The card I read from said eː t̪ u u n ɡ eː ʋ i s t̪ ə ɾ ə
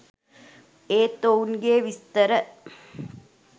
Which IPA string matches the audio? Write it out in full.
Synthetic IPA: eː t̪ o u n ɡ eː ʋ i s t̪ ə ɾ ə